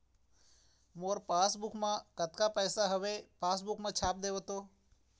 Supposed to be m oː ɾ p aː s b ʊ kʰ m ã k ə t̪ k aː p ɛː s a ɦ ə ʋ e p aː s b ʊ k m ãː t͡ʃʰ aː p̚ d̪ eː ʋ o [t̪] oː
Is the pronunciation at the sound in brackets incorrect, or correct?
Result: correct